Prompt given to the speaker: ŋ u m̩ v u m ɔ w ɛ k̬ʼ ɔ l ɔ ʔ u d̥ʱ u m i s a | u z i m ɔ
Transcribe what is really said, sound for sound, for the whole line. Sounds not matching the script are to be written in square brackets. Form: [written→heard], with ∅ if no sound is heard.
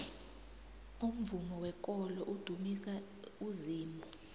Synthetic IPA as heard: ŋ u m̩ v u m ɔ w ɛ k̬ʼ ɔ l ɔ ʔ u d̥ʱ u m i s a | u z [i→iː] m ɔ